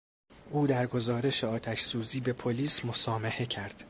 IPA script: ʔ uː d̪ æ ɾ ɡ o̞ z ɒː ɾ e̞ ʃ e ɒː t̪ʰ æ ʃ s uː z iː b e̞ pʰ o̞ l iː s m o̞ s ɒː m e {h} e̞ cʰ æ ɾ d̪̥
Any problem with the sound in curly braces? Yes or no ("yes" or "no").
no